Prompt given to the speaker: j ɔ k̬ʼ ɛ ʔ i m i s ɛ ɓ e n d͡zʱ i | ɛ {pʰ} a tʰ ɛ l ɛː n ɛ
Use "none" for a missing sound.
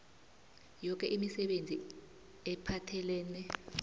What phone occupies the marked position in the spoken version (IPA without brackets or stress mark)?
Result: pʰ